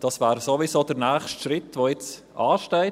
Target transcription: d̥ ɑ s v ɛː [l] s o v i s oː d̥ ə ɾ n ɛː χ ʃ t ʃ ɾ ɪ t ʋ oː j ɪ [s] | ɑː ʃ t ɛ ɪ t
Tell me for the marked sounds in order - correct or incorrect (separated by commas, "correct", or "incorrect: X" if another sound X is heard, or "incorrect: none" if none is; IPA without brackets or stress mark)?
incorrect: ɾ, incorrect: t͡s